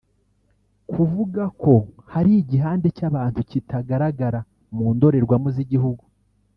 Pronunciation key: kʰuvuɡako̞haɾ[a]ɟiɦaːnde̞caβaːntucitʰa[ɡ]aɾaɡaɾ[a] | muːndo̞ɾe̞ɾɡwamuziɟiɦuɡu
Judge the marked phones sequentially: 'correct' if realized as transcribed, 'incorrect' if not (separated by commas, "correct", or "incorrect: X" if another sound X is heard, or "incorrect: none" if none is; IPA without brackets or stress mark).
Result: incorrect: i, correct, correct